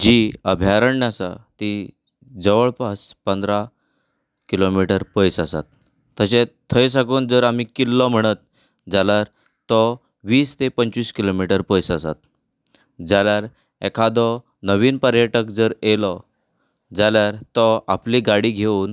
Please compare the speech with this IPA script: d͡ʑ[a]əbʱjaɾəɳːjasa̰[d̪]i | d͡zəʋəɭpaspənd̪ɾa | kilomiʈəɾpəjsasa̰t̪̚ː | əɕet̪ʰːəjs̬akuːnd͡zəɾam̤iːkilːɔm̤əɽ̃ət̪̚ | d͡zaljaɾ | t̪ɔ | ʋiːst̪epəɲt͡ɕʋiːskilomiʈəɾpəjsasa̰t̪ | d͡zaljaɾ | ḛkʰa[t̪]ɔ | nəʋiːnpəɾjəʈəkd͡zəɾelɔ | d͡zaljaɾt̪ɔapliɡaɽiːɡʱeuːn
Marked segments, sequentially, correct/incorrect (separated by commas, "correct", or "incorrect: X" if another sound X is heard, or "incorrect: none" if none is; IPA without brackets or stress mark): incorrect: i, incorrect: t̪, incorrect: d̪